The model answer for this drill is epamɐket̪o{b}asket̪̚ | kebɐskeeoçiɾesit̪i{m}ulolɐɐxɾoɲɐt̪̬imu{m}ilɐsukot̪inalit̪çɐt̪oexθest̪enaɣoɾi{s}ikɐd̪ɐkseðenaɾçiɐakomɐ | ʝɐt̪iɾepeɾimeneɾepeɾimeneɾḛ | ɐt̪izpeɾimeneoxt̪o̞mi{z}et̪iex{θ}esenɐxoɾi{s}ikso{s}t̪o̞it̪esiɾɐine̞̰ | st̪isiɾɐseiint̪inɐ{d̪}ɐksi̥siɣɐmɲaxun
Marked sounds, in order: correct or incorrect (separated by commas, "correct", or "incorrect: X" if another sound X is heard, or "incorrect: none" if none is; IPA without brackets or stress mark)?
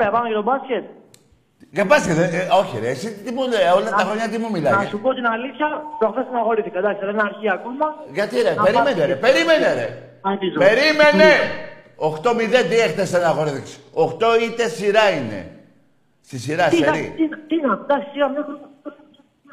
correct, correct, correct, incorrect: θ, incorrect: ð, correct, incorrect: θ, incorrect: x, correct